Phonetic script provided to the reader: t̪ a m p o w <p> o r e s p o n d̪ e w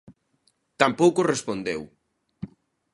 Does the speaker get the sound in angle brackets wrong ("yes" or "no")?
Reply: yes